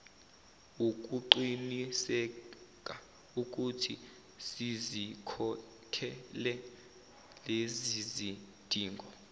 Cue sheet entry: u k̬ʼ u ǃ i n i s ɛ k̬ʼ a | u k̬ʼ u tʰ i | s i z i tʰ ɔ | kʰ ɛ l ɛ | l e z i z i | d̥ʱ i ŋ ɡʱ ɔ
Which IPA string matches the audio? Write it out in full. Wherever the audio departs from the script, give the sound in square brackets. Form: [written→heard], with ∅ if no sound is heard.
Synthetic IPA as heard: u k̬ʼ u ǃ i n i s ɛ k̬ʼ a | u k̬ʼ u tʰ i | s i z i [tʰ→kʰ] ɔ | kʰ ɛ l ɛ | l e z i z i | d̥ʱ [i→iː] ŋ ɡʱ ɔ